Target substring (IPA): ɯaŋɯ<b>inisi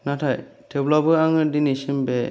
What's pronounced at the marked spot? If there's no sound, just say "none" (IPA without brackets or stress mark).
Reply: d